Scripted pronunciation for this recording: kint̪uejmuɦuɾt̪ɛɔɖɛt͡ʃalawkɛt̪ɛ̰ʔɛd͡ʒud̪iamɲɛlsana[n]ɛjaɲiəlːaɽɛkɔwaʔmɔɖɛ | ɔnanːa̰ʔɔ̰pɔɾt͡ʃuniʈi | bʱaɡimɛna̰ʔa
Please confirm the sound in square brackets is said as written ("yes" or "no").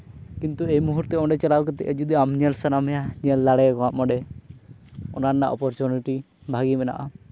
no